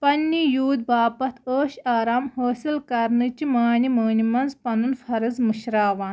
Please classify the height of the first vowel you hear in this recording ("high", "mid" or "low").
low